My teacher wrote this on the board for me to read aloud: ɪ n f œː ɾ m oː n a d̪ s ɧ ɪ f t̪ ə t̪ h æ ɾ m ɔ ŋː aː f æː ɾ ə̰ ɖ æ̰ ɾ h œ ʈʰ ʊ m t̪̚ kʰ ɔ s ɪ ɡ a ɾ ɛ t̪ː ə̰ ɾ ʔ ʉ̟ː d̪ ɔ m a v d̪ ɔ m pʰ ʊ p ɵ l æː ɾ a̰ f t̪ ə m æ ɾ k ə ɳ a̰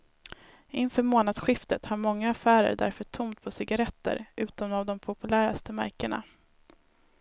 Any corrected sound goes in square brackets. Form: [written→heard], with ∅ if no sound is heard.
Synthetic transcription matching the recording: ɪ n f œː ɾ m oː n a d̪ s ɧ ɪ f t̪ ə t̪ h [æ→a] ɾ m ɔ ŋː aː f æː ɾ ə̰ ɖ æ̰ ɾ [h→f] œ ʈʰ ʊ m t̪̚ [kʰ→pʰ] ɔ s ɪ ɡ a ɾ ɛ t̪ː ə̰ ɾ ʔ ʉ̟ː [d̪→t̪] ɔ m a v d̪ ɔ m pʰ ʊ p ɵ l æː ɾ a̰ [f→s] t̪ ə m æ ɾ k ə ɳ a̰